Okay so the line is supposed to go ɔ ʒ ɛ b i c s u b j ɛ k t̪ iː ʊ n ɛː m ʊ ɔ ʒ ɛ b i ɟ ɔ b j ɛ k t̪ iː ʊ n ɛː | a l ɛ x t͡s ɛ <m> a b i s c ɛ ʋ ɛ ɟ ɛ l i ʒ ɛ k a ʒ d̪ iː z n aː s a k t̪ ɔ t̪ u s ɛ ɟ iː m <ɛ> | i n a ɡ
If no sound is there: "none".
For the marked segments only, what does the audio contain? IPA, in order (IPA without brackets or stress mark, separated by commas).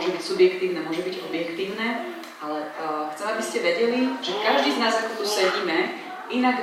m, ɛ